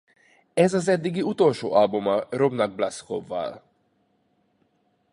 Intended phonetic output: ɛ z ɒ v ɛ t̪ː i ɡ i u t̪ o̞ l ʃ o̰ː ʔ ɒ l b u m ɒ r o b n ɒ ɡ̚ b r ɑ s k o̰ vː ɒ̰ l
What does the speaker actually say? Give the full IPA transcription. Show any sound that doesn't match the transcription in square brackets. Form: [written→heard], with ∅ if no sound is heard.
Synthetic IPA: ɛ z ɒ [v→z] ɛ [t̪ː→d̪ː] i ɡ i u t̪ o̞ l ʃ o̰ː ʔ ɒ l b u m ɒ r o b n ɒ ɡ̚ b [r→l] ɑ s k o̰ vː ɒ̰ l